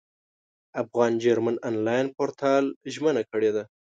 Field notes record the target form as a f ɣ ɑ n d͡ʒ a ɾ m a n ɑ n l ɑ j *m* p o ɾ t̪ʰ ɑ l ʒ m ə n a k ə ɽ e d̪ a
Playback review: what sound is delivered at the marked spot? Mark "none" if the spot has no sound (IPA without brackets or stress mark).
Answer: n